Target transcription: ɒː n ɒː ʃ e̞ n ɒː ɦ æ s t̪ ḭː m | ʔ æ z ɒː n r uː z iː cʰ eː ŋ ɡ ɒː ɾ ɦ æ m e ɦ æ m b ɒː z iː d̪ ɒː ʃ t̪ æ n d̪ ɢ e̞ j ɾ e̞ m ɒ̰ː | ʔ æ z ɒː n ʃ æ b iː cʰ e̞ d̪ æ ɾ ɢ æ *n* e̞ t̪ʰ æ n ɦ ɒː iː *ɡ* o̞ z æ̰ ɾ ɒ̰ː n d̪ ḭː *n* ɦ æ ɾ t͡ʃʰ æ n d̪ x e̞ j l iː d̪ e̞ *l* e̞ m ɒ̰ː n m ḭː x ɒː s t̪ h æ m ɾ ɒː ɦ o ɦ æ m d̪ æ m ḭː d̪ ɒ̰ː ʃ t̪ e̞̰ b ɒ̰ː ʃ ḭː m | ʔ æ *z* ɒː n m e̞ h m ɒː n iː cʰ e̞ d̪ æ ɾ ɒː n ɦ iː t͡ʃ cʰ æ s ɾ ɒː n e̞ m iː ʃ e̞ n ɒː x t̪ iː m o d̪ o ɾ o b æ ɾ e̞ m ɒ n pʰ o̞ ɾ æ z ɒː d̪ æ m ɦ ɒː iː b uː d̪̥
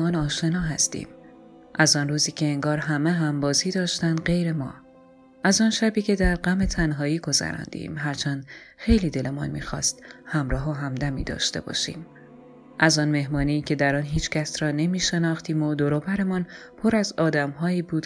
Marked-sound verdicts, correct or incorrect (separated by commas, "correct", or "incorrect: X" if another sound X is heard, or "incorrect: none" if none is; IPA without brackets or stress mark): incorrect: m, correct, incorrect: m, correct, correct